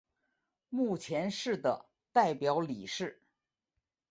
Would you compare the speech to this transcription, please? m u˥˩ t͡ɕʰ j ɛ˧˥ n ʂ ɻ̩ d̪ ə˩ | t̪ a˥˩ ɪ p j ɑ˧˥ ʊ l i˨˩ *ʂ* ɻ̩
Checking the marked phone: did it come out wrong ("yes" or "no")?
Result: no